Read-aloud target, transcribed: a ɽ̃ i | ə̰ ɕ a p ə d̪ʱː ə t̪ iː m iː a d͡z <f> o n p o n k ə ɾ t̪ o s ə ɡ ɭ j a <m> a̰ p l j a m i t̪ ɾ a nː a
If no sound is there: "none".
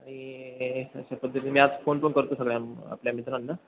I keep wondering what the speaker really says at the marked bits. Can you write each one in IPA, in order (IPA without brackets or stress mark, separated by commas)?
f, m